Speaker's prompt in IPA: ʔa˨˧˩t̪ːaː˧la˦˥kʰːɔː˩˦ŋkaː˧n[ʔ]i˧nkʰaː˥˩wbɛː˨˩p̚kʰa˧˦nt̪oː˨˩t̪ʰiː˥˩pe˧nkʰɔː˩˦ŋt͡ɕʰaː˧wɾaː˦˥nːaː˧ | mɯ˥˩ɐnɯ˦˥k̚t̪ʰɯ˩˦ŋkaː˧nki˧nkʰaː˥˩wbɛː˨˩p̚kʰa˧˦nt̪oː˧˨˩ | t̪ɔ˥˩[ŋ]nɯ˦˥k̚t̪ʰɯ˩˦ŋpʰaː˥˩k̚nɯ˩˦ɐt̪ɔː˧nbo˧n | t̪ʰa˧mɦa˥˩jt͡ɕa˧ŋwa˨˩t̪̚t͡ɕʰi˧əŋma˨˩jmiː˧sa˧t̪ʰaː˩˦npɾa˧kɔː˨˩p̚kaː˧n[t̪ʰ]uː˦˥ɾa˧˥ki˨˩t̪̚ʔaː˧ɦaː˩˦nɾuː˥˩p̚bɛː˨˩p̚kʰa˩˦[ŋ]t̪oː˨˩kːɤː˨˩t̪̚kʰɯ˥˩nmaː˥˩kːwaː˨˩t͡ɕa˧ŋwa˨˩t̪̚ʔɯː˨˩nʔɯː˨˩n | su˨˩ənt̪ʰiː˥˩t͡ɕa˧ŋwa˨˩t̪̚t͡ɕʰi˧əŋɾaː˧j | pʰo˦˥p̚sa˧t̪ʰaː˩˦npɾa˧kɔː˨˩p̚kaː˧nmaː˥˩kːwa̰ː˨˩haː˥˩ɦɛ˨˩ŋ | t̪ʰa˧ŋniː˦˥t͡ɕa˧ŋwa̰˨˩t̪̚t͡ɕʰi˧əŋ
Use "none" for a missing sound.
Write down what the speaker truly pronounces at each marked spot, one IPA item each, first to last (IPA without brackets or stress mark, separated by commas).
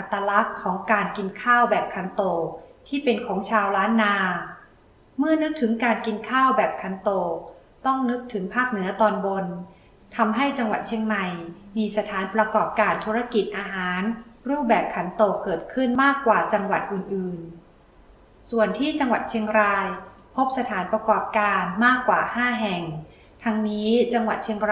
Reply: k, ŋ, t̪ʰ, n